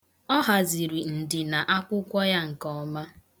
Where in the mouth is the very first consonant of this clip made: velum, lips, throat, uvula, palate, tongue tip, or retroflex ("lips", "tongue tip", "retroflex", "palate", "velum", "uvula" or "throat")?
throat